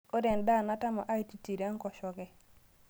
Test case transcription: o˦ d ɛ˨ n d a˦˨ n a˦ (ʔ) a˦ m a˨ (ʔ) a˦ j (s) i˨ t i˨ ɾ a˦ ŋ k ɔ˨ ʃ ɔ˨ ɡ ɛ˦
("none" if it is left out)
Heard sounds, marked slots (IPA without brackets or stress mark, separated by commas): t, ʔ, t